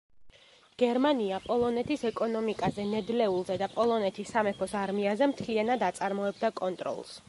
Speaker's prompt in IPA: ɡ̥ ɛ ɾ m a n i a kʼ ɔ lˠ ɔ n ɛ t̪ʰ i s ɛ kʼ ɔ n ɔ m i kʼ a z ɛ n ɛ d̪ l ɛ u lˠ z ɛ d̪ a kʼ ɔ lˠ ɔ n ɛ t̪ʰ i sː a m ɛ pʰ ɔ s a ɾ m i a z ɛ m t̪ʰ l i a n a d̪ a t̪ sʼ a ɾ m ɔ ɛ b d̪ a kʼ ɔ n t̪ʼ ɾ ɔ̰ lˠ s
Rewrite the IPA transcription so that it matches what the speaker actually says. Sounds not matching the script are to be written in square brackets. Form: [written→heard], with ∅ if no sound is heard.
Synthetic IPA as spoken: ɡ̥ ɛ ɾ m a n i a [kʼ→pʼ] ɔ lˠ ɔ n ɛ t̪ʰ i s ɛ kʼ ɔ n ɔ m i kʼ a z ɛ n ɛ d̪ l ɛ u lˠ z ɛ d̪ a [kʼ→pʼ] ɔ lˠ ɔ n ɛ t̪ʰ i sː a m ɛ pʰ ɔ s a ɾ m i a z ɛ m t̪ʰ l i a n a d̪ a t̪ sʼ a ɾ m ɔ ɛ b d̪ a kʼ ɔ n t̪ʼ ɾ ɔ̰ lˠ s